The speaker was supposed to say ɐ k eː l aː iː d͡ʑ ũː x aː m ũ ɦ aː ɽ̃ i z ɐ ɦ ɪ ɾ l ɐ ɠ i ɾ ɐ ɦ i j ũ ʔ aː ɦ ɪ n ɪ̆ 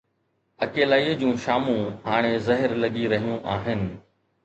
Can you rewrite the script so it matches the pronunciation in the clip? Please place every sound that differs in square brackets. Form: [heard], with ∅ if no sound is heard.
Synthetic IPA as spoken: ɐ k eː l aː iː d͡ʑ ũː [ʃ] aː m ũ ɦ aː ɽ̃ [e] z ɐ ɦ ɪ ɾ l ɐ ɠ i ɾ ɐ ɦ i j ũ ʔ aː ɦ ɪ n ɪ̆